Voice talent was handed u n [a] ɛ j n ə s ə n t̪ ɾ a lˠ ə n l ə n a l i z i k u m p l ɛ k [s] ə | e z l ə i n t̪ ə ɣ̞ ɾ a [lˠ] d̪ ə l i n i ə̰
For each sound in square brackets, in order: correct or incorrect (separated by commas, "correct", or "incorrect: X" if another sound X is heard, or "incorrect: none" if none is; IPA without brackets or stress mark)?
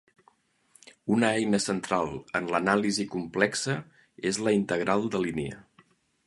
incorrect: ə, correct, correct